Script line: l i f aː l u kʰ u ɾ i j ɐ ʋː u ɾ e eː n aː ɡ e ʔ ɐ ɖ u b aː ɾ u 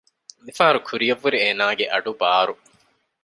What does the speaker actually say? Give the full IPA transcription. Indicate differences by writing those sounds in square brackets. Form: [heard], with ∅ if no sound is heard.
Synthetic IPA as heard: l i f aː [ɾ] u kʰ u ɾ i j ɐ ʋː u ɾ [i] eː n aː ɡ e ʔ ɐ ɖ u b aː ɾ u